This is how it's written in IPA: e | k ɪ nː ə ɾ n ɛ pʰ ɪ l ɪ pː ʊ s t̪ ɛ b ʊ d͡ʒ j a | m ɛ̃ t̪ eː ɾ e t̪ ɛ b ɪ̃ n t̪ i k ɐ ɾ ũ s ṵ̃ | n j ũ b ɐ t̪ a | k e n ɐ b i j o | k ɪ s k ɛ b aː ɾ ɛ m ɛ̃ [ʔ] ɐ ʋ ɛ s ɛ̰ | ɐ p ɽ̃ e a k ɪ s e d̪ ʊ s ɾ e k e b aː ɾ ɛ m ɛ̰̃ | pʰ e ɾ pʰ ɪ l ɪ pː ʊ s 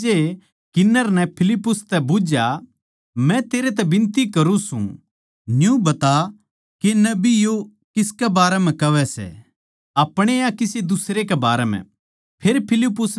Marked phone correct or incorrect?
incorrect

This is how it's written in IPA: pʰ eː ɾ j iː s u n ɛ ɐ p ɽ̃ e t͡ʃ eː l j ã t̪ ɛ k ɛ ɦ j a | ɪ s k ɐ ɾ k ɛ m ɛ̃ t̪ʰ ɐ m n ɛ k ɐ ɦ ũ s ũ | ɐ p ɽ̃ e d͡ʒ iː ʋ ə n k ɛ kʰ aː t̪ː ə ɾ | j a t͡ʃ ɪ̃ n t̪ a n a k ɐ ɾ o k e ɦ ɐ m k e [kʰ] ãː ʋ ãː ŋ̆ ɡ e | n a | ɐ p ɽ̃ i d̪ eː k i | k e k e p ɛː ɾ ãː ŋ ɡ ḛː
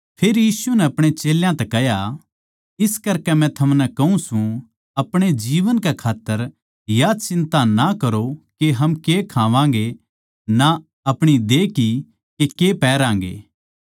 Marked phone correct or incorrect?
correct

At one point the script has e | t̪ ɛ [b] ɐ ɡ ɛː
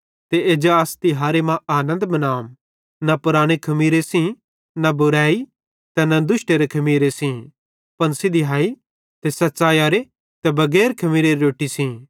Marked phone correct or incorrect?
correct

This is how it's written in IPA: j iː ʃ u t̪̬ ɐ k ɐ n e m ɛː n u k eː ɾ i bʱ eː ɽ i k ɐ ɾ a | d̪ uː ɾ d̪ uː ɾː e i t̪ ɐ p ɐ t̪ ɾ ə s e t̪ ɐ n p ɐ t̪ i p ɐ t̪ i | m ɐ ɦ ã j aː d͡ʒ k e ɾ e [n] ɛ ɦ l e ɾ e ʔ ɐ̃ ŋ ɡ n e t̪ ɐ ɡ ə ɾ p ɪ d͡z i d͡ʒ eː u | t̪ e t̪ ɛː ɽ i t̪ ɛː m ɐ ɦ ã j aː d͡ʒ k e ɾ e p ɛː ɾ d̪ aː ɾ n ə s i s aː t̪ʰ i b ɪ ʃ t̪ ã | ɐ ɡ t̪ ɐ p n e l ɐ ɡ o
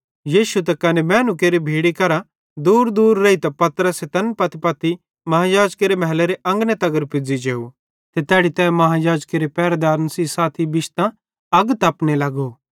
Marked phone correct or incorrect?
incorrect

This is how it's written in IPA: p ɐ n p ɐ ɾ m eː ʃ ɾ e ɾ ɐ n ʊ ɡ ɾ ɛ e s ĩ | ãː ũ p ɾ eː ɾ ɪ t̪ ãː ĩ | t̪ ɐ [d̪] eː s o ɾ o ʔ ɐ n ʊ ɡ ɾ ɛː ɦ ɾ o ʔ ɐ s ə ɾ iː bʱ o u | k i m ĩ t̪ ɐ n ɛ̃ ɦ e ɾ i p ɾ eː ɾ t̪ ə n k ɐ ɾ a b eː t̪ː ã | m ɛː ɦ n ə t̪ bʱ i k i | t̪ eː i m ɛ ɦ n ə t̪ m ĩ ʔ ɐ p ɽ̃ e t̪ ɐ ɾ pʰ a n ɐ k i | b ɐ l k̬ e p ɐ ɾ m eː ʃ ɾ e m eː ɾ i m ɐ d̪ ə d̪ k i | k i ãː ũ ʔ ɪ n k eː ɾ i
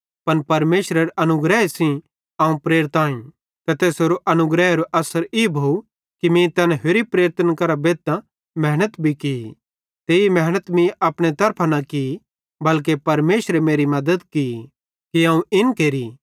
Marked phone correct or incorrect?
incorrect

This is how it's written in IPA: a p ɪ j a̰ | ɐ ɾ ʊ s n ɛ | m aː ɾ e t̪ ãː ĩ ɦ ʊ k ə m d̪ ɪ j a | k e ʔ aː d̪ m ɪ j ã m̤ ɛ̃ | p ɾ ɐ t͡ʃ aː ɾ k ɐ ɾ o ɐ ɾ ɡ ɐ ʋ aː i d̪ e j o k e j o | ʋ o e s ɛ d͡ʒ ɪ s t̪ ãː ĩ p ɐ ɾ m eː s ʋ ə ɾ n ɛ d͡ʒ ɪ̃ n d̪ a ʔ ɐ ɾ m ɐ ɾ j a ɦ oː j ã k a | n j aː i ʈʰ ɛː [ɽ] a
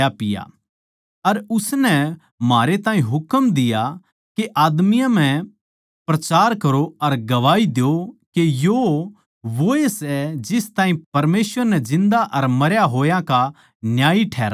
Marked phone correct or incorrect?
incorrect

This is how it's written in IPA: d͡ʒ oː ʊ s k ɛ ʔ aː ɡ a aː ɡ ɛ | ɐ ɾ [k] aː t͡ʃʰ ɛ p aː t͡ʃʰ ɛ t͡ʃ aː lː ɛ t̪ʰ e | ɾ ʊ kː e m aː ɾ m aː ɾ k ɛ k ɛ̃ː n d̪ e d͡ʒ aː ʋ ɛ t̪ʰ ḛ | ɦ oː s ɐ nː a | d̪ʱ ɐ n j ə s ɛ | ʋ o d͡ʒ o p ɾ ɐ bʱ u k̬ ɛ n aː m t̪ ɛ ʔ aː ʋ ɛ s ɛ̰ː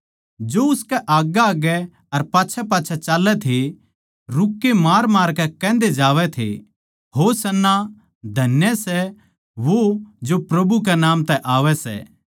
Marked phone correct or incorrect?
incorrect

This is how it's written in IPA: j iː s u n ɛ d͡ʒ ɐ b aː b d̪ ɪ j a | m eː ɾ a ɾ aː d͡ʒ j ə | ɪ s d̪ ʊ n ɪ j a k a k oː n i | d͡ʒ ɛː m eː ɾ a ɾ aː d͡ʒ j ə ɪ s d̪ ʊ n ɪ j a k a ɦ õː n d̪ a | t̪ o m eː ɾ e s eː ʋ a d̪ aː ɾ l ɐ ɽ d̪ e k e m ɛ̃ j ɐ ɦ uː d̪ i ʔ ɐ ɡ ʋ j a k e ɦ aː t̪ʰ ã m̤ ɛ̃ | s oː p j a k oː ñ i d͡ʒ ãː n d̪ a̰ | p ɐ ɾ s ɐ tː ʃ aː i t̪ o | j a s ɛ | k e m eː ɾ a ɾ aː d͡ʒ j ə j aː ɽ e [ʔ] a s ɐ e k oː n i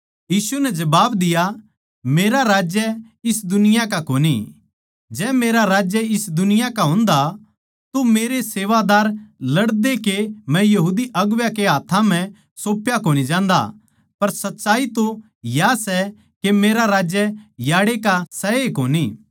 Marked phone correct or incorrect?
incorrect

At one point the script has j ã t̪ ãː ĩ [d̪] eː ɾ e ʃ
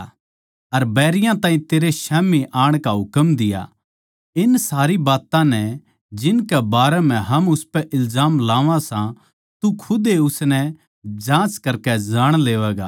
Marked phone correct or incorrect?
incorrect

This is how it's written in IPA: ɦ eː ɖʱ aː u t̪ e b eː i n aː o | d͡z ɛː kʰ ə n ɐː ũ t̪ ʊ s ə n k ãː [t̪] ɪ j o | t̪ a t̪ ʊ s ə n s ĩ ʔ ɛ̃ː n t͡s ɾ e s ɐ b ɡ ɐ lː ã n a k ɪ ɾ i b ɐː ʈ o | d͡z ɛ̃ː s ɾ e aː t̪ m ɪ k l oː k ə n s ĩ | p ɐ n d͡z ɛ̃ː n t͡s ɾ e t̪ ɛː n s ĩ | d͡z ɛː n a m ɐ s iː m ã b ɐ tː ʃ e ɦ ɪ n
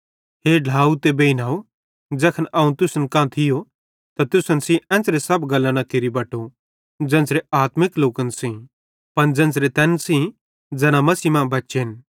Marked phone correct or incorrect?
incorrect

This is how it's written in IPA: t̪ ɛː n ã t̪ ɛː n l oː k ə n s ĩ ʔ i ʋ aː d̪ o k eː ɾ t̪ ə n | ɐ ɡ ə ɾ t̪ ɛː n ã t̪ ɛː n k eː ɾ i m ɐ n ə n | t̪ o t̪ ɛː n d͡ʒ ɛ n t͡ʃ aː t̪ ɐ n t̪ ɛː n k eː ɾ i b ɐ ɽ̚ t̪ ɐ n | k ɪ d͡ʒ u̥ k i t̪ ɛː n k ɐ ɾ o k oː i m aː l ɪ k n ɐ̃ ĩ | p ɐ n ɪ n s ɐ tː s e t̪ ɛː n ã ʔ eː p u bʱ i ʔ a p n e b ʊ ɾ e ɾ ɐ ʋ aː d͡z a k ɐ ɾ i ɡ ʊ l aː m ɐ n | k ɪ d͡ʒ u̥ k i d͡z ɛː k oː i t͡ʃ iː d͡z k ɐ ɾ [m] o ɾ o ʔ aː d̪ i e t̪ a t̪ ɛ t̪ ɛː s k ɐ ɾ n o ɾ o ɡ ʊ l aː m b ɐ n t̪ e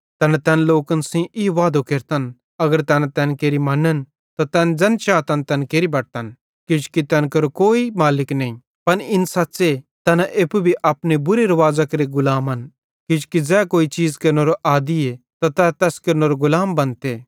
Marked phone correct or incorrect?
incorrect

